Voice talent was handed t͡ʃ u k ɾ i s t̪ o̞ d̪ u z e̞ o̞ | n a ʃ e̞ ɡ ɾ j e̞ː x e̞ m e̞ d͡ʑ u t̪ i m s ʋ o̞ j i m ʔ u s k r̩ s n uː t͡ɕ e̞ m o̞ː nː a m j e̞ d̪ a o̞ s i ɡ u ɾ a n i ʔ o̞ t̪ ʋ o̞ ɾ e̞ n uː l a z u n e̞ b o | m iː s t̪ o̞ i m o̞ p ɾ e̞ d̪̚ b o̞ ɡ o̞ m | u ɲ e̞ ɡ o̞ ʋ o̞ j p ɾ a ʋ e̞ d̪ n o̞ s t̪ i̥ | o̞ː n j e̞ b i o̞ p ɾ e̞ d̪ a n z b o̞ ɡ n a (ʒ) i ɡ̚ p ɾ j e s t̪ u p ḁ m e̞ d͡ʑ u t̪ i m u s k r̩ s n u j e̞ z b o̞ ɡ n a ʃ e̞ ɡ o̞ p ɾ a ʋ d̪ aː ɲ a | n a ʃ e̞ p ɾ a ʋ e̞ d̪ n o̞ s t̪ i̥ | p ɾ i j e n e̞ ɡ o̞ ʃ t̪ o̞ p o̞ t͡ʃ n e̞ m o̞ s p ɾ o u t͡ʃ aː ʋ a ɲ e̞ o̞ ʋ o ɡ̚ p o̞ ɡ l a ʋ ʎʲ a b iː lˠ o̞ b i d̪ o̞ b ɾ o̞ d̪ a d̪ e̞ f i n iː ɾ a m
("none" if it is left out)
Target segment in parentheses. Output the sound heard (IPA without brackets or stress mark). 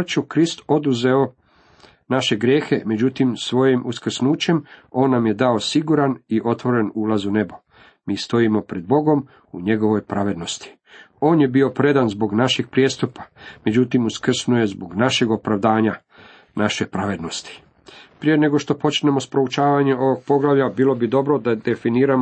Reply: ʃ